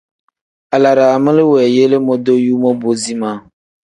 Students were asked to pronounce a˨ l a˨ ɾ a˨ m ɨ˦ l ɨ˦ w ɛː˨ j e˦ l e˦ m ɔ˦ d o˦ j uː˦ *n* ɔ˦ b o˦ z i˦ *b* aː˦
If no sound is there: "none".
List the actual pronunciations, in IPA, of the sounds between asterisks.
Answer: m, m

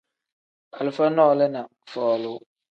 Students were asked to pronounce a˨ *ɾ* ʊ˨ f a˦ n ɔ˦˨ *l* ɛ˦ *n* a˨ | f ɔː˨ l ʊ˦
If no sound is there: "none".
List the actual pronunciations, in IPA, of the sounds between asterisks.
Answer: l, l, n

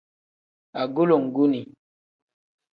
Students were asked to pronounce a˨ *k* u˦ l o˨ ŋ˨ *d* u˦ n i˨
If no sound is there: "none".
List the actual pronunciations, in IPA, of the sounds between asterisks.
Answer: ɡ, ɡ

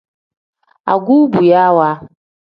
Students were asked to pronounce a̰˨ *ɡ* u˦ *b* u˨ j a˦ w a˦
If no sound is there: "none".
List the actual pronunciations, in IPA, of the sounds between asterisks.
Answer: ɡ, b

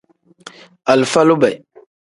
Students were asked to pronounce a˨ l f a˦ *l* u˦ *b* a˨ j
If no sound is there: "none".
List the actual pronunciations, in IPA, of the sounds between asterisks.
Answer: l, b

